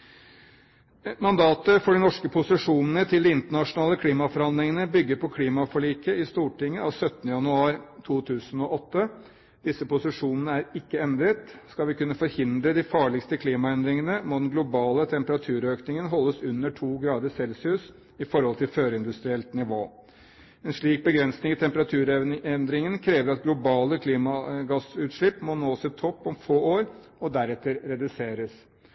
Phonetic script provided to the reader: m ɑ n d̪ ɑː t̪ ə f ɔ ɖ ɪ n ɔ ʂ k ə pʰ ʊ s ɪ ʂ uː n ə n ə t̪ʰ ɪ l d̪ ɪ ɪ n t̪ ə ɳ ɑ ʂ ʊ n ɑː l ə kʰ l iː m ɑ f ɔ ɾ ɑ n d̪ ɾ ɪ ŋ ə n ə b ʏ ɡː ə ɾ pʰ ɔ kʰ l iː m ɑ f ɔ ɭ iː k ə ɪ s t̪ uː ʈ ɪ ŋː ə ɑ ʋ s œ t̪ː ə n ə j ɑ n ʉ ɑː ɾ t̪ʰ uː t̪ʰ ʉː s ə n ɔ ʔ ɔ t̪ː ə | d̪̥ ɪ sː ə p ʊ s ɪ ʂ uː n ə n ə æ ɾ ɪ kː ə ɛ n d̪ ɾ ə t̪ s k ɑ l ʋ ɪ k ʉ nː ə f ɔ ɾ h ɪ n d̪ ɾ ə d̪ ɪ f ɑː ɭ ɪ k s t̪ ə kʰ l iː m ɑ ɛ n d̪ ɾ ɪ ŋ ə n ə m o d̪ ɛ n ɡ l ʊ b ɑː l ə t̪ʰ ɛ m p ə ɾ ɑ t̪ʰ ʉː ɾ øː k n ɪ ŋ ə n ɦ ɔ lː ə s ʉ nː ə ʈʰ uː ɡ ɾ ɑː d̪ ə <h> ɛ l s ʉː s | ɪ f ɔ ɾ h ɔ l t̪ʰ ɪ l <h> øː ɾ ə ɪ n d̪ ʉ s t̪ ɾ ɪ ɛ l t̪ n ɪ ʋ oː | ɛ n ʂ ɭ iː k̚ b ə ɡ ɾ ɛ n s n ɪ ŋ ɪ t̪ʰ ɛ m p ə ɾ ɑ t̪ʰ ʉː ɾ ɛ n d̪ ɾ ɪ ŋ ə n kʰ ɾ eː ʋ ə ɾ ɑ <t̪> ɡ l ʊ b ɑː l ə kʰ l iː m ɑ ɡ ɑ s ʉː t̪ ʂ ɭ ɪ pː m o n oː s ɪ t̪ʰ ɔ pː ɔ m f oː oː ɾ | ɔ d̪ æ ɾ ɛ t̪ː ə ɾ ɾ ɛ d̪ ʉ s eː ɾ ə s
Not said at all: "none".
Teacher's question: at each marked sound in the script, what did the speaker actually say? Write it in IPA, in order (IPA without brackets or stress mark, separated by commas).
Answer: s, f, t̪